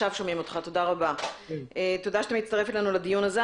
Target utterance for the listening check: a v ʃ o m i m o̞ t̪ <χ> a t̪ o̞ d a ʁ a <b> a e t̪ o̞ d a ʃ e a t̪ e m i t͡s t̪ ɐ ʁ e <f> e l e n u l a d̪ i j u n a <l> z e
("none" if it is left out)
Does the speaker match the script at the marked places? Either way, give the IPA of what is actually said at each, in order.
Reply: χ, b, f, none

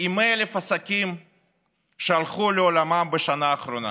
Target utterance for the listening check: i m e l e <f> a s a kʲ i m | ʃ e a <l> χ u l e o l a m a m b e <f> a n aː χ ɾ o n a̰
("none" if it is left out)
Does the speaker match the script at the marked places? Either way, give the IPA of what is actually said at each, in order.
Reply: f, l, ʃ

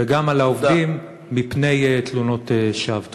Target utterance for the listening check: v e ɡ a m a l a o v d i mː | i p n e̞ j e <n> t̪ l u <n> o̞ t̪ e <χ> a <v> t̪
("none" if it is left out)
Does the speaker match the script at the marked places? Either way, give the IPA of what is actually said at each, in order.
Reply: none, n, ʃ, v

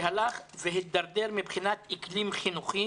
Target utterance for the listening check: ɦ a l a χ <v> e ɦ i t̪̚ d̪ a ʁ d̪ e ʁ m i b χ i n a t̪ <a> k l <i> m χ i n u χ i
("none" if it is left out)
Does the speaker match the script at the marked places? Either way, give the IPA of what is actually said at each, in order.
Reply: v, i, i

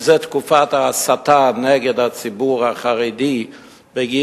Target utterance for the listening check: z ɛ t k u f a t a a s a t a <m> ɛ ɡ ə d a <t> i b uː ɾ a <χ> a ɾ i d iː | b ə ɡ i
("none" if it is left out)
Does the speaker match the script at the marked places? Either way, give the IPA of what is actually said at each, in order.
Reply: n, t͡s, χ

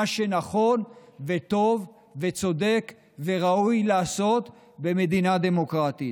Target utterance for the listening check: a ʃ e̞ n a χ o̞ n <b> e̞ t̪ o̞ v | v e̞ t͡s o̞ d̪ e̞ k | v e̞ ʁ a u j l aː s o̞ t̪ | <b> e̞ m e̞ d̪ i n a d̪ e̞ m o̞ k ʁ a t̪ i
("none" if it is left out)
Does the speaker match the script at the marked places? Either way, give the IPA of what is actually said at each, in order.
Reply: v, b

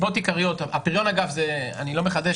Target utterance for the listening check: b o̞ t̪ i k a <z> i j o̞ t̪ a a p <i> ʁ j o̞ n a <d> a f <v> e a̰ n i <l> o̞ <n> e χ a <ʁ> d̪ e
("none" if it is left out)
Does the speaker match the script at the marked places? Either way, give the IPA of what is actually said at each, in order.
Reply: ʁ, i, ɡ, z, l, m, none

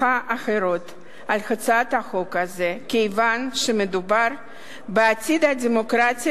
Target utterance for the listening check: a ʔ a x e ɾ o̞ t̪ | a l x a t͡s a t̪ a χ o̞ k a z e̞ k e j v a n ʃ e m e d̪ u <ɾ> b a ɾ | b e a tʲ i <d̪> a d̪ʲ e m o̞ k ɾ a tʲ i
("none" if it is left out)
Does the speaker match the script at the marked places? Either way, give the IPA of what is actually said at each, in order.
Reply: none, d̪

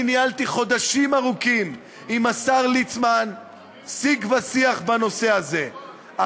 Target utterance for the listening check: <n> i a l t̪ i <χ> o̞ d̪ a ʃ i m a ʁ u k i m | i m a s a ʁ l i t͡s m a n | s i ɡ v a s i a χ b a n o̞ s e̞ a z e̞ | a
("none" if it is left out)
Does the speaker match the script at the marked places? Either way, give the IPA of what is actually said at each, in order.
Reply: n, χ

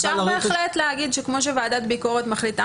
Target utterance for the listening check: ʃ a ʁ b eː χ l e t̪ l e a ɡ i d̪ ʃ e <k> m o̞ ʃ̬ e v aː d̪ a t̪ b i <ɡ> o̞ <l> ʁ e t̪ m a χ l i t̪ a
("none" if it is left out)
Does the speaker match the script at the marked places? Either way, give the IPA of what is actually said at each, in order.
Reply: k, k, none

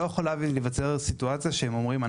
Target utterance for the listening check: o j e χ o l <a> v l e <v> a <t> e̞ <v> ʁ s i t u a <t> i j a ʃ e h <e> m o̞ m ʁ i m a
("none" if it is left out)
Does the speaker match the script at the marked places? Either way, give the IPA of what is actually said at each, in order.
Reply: a, v, t͡s, none, t͡s, e

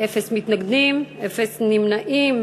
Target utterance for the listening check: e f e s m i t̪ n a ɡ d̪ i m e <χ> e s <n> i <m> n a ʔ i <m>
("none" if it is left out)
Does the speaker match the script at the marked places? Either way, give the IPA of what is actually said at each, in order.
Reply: f, n, m, m

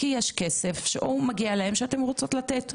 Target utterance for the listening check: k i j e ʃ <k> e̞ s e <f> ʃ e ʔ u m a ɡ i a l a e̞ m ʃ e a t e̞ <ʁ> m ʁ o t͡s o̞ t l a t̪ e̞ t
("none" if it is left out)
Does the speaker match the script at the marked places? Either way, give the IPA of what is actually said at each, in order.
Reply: k, f, none

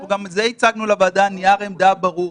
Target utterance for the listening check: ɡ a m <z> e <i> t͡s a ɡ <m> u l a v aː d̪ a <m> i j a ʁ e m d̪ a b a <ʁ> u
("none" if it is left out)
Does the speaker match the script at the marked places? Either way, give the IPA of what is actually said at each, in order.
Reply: z, i, n, n, ʁ

